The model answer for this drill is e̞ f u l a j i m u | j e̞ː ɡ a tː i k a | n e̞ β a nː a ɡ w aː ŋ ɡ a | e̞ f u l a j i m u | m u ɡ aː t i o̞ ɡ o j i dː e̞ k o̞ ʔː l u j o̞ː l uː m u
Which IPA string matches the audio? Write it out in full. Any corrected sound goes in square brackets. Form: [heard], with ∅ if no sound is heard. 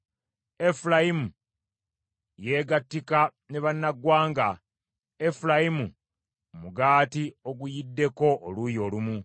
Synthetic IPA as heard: e̞ f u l a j i m u | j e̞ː ɡ a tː i k a | n e̞ β a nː a ɡ w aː ŋ ɡ a | e̞ f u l a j i m u | m u ɡ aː t i o̞ ɡ [u] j i dː e̞ k o̞ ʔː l u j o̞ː l [u] m u